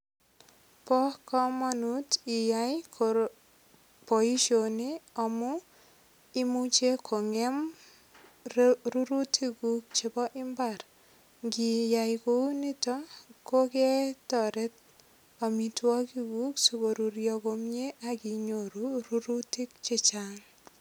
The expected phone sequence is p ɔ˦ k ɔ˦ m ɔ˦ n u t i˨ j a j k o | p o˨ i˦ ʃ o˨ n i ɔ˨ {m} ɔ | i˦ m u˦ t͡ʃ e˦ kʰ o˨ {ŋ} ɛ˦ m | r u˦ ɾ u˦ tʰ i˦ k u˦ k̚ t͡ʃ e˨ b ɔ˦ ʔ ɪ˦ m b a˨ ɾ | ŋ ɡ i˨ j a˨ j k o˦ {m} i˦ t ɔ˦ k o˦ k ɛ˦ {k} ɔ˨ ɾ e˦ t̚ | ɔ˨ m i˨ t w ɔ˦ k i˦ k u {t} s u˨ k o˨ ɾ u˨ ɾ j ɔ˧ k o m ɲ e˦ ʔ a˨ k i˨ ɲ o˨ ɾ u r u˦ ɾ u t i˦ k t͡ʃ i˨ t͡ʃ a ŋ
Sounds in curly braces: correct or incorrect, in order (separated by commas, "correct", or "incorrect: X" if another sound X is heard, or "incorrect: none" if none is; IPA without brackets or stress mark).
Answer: correct, correct, incorrect: n, incorrect: t, incorrect: k